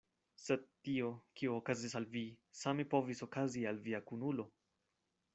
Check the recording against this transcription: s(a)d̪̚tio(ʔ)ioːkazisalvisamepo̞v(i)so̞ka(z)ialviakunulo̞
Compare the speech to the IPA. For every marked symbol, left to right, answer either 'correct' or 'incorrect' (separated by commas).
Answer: incorrect, incorrect, correct, correct